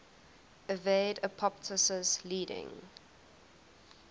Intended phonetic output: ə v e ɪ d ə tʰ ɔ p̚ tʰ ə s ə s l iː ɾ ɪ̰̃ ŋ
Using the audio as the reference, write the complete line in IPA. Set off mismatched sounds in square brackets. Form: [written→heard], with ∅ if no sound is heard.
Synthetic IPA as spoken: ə v e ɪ d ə [tʰ→pʰ] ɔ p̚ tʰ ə s ə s l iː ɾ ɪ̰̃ ŋ